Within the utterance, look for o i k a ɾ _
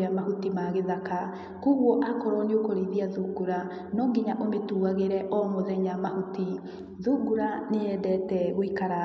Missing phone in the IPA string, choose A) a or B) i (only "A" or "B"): A